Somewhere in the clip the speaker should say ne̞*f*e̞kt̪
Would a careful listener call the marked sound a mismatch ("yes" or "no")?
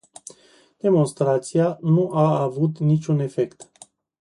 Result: no